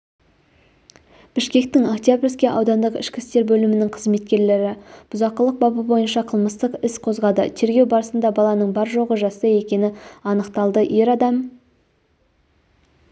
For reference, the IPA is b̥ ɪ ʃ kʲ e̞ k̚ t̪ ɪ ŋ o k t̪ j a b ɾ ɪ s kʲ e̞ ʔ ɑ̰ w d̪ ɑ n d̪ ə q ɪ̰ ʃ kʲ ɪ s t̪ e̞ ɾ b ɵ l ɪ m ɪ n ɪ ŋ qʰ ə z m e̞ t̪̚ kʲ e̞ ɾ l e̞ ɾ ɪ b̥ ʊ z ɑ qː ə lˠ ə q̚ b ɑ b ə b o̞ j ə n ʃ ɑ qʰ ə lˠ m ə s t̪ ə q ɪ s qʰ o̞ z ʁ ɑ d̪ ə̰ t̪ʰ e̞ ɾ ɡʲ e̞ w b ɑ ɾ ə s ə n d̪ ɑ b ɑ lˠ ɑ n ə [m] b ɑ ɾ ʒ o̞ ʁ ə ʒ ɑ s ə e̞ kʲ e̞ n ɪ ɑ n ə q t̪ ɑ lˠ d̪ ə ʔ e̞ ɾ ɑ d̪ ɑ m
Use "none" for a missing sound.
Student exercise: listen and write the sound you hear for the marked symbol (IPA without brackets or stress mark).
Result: ɴ